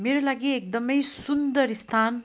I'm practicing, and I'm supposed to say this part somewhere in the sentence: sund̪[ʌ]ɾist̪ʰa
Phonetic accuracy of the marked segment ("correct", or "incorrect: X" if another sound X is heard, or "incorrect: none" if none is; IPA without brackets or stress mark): correct